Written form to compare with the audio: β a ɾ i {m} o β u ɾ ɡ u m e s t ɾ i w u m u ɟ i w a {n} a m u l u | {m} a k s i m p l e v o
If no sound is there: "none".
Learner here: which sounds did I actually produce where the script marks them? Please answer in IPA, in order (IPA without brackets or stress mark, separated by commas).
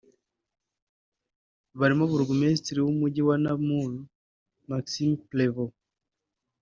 m, n, m